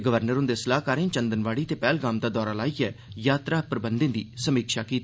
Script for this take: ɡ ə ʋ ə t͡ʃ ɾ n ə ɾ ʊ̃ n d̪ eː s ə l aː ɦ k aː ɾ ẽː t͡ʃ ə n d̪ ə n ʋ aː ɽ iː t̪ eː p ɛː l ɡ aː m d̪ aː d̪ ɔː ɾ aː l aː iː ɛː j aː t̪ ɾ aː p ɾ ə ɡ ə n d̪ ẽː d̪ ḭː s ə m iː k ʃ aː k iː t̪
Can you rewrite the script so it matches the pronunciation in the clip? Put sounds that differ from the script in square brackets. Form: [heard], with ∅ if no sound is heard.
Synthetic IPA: ɡ ə ʋ ə [∅] ɾ n ə ɾ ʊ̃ n d̪ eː s ə l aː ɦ k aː ɾ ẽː t͡ʃ ə n d̪ ə n ʋ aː ɽ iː t̪ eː p ɛː l ɡ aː m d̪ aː d̪ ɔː ɾ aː l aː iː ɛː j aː t̪ ɾ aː p ɾ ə [b] ə n d̪ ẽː d̪ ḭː s ə m iː k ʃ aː k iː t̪